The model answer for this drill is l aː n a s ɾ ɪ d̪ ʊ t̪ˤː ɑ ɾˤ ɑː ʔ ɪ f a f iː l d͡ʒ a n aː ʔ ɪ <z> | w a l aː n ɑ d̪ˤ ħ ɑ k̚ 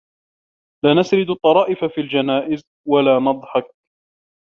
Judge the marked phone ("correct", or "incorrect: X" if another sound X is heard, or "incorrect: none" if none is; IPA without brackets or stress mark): correct